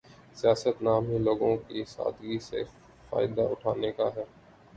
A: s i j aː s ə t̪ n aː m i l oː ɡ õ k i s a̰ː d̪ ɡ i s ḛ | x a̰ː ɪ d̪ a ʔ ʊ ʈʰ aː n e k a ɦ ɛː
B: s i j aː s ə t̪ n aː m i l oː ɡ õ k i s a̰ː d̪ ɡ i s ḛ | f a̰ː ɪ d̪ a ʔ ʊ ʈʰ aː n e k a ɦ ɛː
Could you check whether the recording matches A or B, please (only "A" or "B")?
B